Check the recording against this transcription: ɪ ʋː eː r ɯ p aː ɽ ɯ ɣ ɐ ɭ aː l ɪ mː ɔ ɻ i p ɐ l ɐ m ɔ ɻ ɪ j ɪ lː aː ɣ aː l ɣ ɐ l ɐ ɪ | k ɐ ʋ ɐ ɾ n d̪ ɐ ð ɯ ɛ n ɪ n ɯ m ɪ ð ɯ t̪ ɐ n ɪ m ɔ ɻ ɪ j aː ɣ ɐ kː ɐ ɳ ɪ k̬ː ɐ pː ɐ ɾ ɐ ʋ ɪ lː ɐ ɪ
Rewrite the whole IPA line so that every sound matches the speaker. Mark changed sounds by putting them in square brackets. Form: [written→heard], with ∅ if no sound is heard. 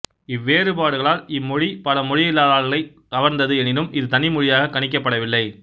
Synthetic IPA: ɪ ʋː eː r ɯ p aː ɽ ɯ ɣ ɐ ɭ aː l ɪ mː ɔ ɻ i p ɐ l ɐ m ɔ ɻ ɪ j ɪ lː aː [ɣ→ð] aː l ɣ ɐ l ɐ ɪ | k ɐ ʋ ɐ ɾ n d̪ ɐ ð ɯ ɛ n ɪ n ɯ m ɪ ð ɯ t̪ ɐ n ɪ m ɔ ɻ ɪ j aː ɣ ɐ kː ɐ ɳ ɪ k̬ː ɐ pː ɐ [ɾ→ɽ] ɐ ʋ ɪ lː ɐ ɪ

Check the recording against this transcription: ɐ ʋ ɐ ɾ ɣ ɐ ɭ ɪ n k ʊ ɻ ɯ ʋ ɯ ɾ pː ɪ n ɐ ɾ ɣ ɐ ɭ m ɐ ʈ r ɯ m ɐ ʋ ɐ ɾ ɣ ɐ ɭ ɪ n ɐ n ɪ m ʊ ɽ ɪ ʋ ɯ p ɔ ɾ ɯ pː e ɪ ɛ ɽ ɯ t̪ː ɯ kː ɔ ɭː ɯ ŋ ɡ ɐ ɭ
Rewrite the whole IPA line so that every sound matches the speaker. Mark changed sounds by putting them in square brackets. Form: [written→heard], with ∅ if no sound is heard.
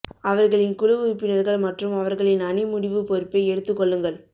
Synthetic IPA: ɐ ʋ ɐ ɾ ɣ ɐ ɭ ɪ n k ʊ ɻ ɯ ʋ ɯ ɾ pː ɪ n ɐ ɾ ɣ ɐ ɭ m ɐ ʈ r ɯ m ɐ ʋ ɐ ɾ ɣ ɐ ɭ ɪ n ɐ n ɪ m ʊ ɽ ɪ ʋ ɯ p ɔ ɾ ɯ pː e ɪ ɛ ɽ ɯ t̪ː ɯ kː ɔ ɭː ɯ ŋ ɡ ɐ ɭ

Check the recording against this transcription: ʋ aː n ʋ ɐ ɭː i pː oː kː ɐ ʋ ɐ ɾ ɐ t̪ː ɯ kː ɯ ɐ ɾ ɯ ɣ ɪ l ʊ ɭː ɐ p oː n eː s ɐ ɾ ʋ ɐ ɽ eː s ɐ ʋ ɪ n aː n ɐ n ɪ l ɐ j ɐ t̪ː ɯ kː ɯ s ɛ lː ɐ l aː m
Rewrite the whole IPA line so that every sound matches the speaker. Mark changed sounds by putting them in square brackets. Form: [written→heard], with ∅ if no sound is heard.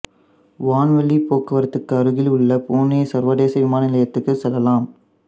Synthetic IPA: ʋ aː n ʋ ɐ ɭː i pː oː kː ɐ ʋ ɐ ɾ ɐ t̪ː ɯ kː ɯ ɐ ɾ ɯ ɣ ɪ l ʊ ɭː ɐ p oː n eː s ɐ ɾ ʋ ɐ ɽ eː s ɐ ʋ ɪ [n→m] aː n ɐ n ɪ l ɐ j ɐ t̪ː ɯ kː ɯ s ɛ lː ɐ l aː m

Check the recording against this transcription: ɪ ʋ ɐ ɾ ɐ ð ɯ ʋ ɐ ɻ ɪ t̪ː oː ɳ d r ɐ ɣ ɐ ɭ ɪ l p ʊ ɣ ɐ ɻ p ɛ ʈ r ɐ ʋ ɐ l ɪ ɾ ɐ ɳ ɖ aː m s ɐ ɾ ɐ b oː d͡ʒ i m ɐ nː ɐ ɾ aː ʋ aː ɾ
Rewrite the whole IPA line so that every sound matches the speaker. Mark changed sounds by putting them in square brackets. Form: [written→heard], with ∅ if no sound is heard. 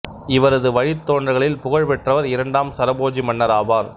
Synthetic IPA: ɪ ʋ ɐ ɾ ɐ ð ɯ ʋ ɐ ɻ ɪ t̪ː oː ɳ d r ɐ ɣ ɐ ɭ ɪ l p ʊ ɣ ɐ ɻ p ɛ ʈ r ɐ ʋ ɐ [l→ɾ] ɪ ɾ ɐ ɳ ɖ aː m s ɐ ɾ ɐ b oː d͡ʒ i m ɐ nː ɐ ɾ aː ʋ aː ɾ

